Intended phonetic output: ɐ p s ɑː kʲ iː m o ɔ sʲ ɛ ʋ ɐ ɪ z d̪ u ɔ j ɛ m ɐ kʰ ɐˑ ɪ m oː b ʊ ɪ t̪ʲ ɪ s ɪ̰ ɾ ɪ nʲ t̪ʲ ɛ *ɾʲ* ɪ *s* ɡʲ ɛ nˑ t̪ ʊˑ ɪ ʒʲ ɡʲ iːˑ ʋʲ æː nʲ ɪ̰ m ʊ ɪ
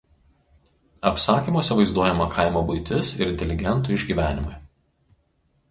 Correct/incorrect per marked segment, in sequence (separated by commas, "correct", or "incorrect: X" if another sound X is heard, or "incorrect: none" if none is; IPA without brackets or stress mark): incorrect: lʲ, incorrect: none